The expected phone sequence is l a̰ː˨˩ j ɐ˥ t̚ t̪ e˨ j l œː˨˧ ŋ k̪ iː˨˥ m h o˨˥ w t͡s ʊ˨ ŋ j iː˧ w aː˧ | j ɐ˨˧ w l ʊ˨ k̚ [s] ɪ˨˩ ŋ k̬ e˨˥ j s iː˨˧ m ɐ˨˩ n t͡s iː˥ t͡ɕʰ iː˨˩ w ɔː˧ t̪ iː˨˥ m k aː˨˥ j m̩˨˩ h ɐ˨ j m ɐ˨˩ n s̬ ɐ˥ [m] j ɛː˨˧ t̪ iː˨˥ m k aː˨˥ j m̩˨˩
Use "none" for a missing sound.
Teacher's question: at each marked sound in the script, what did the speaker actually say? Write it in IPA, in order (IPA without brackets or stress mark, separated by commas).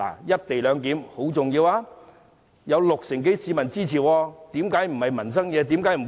s, ŋ